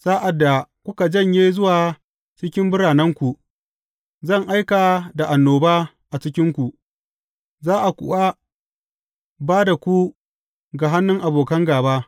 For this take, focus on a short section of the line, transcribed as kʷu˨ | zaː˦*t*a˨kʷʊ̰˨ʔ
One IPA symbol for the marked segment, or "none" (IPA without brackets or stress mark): ʔ